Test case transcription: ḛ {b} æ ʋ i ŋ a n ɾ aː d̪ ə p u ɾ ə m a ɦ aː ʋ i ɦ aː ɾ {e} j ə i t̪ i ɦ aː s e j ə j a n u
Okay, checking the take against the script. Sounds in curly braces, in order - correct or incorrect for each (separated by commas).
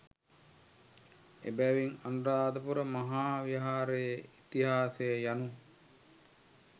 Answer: correct, correct